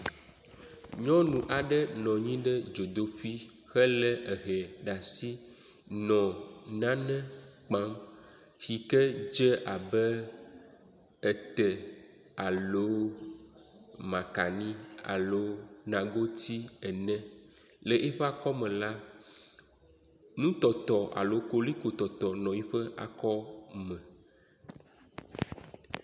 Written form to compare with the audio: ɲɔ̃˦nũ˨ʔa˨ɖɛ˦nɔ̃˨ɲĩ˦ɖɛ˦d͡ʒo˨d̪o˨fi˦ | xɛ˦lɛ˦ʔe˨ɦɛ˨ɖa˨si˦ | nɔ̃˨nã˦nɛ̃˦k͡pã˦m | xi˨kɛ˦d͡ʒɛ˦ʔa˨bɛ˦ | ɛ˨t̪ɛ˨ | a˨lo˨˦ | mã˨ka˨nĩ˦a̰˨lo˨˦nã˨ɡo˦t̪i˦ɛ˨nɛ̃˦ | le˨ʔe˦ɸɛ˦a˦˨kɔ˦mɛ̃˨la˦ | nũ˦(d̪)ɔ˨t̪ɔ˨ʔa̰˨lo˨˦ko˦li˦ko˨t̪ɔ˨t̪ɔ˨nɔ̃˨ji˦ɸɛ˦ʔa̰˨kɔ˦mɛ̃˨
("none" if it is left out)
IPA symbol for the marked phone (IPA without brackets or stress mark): t̪